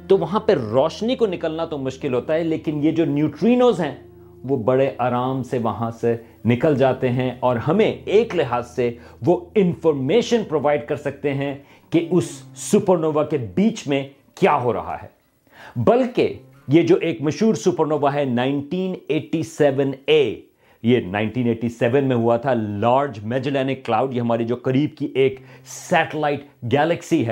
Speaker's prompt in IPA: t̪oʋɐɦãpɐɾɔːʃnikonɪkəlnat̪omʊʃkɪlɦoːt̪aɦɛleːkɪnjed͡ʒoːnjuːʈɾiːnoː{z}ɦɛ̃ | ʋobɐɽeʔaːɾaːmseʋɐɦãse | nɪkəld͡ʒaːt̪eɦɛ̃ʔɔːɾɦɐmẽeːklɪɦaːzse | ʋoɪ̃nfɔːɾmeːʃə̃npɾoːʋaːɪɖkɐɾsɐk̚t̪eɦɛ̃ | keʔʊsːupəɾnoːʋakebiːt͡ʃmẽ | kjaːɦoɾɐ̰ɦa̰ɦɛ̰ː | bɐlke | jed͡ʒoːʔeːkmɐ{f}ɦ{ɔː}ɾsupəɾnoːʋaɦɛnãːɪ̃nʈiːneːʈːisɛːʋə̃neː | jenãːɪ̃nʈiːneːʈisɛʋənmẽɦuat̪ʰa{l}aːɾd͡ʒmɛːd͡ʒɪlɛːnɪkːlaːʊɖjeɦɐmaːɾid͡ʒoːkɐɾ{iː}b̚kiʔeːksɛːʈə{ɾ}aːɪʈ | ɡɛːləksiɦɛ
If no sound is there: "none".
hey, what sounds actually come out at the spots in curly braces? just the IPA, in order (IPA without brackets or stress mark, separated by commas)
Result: z, ʃ, uː, l, iː, l